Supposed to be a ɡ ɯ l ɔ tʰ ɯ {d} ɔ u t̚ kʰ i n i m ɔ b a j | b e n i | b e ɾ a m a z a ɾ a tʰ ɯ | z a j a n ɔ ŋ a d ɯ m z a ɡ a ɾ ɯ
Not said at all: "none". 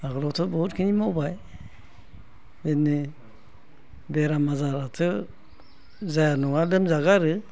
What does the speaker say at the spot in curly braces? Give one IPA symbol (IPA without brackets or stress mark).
b